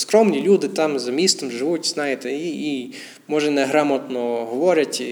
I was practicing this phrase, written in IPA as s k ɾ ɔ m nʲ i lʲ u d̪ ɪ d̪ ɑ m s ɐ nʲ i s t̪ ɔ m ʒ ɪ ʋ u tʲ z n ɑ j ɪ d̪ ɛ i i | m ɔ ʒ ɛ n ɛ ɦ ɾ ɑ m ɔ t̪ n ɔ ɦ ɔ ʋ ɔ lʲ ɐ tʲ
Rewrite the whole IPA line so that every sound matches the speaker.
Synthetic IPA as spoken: s k ɾ ɔ m nʲ i lʲ u d̪ ɪ t̪ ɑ m z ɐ mʲ i s t̪ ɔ m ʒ ɪ ʋ u tʲ z n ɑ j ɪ t̪ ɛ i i | m ɔ ʒ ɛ n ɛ ɦ ɾ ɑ m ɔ t̪ n ɔ ɦ ɔ ʋ ɔ ɾʲ ɐ tʲ